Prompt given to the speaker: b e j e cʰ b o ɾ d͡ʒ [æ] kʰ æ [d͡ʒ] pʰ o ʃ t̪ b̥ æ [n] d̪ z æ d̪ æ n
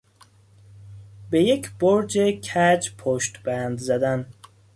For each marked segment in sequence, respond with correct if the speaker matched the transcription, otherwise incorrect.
incorrect, correct, correct

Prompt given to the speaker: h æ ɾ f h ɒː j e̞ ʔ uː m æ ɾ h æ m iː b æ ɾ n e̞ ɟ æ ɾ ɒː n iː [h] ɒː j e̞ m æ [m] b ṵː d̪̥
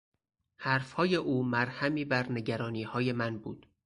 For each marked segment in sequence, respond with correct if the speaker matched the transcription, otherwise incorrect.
correct, incorrect

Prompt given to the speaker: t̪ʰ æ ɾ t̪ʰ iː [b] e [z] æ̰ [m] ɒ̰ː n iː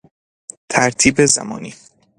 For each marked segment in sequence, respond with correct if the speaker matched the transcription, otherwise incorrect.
correct, correct, correct

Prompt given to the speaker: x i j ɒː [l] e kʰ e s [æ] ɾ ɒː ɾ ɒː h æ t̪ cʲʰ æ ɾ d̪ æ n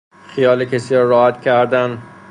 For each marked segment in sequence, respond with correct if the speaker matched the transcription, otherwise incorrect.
correct, incorrect

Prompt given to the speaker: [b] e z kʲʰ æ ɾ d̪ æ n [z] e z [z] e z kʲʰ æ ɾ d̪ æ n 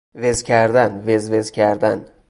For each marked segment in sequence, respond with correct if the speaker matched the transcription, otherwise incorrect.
incorrect, incorrect, incorrect

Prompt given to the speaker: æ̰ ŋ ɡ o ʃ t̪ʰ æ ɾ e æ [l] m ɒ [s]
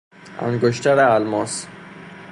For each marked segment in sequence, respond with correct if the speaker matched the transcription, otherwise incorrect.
correct, correct

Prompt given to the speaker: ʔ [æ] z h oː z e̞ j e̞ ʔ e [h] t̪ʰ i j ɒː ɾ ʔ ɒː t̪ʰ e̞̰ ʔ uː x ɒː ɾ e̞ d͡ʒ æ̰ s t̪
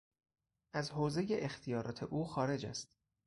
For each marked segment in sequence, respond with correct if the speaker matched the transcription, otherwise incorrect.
correct, incorrect

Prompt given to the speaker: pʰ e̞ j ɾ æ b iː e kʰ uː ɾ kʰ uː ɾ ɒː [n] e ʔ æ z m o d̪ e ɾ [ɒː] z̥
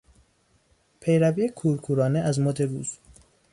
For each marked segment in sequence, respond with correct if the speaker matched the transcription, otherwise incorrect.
correct, incorrect

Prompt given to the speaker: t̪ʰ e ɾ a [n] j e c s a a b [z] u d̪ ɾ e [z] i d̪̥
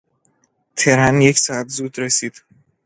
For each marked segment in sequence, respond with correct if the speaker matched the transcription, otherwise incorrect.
correct, correct, incorrect

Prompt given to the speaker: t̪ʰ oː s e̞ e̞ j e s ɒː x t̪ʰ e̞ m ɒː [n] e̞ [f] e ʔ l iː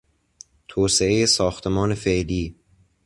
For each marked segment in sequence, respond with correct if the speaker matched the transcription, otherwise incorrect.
correct, correct

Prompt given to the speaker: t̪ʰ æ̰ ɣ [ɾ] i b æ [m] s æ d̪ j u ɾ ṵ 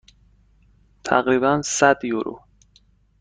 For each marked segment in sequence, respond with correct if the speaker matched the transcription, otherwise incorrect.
correct, incorrect

